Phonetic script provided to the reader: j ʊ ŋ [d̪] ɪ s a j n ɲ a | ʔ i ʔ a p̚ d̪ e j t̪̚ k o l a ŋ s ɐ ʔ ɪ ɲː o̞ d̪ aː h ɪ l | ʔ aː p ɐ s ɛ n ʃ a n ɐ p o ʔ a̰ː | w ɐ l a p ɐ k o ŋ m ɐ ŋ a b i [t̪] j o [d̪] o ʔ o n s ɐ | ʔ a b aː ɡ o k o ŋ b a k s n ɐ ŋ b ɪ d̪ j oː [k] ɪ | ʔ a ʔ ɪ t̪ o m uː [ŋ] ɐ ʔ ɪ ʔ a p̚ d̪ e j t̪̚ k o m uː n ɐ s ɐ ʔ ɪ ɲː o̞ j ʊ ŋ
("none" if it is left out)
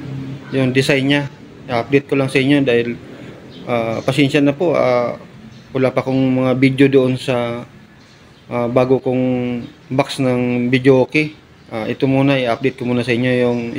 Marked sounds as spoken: d̪, d̪, d̪, k, n

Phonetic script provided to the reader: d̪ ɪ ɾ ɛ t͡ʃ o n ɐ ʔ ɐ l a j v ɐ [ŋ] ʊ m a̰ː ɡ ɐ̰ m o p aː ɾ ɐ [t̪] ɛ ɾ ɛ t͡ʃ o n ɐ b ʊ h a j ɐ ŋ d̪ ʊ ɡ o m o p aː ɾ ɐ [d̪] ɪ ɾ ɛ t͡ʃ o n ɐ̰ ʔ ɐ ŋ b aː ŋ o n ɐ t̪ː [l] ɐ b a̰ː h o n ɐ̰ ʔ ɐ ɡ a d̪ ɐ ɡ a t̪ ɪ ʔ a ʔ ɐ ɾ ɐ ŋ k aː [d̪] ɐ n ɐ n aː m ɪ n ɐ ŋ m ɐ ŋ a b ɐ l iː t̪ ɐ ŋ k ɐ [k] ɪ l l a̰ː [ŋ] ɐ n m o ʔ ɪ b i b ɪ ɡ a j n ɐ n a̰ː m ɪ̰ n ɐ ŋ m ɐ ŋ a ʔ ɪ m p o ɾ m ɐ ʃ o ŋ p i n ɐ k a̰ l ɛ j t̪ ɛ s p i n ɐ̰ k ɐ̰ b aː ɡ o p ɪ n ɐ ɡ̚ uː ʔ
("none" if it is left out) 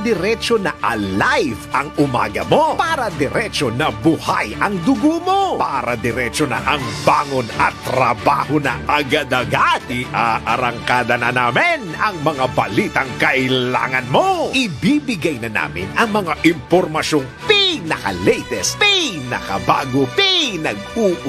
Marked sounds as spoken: ŋ, d̪, d̪, ɾ, d̪, ʔ, ŋ

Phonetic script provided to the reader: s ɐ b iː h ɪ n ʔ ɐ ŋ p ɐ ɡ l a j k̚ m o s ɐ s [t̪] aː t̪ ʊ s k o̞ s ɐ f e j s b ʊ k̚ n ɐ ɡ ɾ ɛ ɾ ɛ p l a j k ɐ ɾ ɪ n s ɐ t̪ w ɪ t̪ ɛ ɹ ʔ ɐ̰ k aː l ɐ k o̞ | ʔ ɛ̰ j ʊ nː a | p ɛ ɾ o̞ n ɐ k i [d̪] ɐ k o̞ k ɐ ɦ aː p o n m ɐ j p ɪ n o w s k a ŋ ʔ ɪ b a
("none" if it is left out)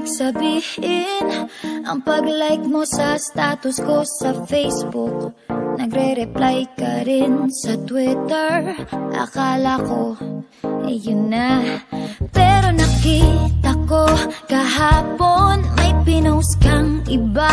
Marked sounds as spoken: t̪, t̪

